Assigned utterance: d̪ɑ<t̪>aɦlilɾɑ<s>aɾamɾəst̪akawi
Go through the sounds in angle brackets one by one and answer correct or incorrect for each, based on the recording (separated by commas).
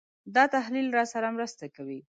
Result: correct, correct